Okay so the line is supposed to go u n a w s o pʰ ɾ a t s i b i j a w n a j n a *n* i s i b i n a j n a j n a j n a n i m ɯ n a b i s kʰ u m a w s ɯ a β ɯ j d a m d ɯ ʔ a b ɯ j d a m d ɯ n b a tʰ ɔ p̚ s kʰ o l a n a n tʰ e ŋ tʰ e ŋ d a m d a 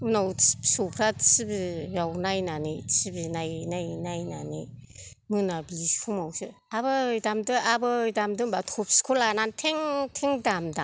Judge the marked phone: correct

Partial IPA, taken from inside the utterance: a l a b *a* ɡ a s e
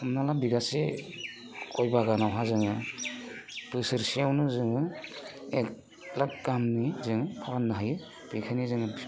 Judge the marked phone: incorrect: i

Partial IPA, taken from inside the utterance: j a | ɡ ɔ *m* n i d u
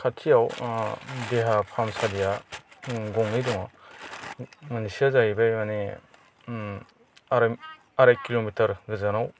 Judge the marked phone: incorrect: ŋ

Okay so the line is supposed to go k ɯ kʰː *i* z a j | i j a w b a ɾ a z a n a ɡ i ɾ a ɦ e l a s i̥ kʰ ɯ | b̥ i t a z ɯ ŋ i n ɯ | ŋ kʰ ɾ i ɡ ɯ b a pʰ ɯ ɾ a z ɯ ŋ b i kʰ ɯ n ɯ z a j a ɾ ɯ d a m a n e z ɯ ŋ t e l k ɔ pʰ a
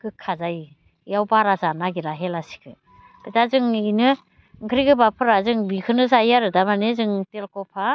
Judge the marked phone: incorrect: a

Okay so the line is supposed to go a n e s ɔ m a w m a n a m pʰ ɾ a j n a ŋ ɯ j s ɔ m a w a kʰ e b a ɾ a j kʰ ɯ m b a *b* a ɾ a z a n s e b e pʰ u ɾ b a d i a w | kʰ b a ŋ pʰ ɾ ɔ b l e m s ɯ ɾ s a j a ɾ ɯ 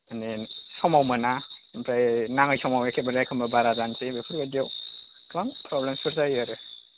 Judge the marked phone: correct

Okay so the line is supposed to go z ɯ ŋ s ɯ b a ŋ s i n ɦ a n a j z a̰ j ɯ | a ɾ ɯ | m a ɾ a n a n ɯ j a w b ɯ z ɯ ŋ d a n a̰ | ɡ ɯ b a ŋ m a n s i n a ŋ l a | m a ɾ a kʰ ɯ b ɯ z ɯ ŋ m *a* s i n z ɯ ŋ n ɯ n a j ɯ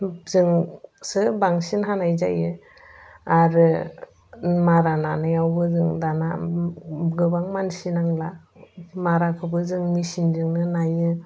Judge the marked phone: incorrect: i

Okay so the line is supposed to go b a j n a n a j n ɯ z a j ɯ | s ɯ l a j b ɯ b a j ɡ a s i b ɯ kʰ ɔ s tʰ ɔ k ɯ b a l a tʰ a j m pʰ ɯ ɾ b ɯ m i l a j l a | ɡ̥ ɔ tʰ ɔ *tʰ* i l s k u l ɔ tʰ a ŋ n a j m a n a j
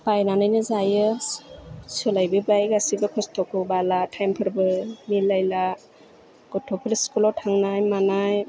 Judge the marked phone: incorrect: pʰ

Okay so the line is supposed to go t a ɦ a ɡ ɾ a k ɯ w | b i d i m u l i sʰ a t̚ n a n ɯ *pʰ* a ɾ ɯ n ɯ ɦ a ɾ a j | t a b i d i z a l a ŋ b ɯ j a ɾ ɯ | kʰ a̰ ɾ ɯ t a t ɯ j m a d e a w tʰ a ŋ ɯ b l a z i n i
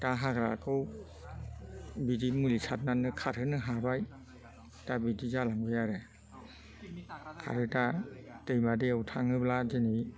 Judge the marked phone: incorrect: kʰ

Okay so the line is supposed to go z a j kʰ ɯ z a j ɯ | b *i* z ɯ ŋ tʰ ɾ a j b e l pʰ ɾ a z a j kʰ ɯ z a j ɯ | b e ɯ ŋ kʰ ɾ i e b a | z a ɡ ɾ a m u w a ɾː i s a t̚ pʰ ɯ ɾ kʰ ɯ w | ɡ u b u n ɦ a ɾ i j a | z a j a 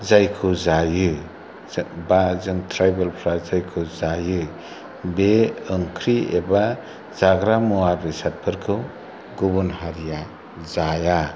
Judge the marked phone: incorrect: a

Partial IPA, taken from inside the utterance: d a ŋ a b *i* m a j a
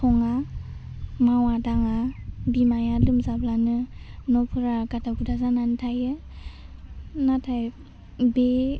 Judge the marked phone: correct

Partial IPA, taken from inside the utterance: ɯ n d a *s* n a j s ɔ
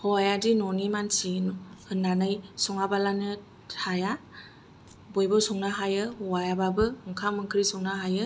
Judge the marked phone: incorrect: none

